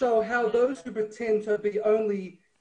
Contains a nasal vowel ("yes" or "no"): yes